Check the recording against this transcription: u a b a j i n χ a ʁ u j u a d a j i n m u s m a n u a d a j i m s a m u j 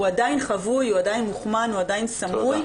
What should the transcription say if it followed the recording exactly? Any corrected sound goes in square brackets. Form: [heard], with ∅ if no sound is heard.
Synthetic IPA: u a [d] a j i n χ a [v] u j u a d a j i n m u [χ] m a n u a d a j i [n] s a m u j